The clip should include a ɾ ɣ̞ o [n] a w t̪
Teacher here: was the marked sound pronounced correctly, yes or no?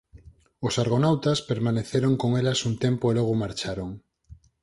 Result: yes